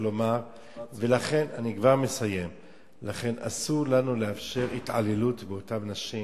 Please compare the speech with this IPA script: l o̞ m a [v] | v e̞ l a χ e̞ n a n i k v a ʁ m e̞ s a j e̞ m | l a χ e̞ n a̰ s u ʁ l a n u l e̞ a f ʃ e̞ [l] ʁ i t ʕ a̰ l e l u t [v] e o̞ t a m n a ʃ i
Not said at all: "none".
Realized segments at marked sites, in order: ʁ, none, b

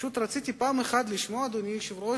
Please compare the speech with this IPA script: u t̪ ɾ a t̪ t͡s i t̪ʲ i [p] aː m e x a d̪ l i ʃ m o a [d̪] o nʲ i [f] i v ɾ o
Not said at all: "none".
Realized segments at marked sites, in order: p, d̪, ʃ

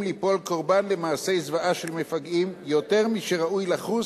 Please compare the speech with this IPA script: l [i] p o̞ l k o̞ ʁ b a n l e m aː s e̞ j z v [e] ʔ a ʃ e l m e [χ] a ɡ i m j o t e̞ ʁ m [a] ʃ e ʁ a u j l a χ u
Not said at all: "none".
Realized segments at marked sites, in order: i, a, f, i

